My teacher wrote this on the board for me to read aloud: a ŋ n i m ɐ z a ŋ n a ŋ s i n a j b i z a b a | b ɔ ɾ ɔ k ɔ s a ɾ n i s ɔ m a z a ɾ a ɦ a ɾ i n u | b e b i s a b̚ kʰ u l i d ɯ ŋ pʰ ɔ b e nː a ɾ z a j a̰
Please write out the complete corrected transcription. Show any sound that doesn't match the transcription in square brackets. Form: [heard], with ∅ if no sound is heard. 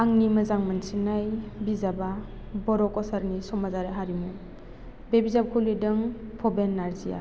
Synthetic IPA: a ŋ n i m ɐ z a ŋ [m] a [n] s i n a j b i z a b a | b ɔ ɾ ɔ k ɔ s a ɾ n i s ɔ m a z a ɾ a ɦ a ɾ i [m] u | b e b i [z] a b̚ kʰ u l i d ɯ ŋ pʰ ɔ b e nː a ɾ z [i] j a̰